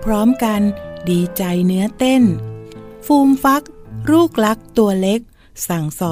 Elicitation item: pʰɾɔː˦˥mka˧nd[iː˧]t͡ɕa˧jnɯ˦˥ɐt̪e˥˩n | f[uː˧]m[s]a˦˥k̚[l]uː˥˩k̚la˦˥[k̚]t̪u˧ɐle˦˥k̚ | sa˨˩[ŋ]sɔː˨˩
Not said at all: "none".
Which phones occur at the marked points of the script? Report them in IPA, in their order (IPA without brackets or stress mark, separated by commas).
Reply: iː˧, uː˧, f, ɾ, k̚, ŋ